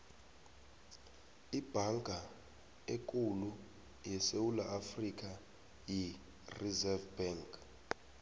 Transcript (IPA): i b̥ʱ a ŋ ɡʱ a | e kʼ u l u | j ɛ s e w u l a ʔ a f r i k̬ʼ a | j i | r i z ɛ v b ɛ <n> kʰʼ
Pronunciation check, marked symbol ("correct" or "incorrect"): incorrect